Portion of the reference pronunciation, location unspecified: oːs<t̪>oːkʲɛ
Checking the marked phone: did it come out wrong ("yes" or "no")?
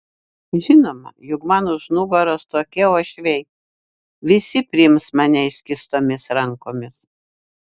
no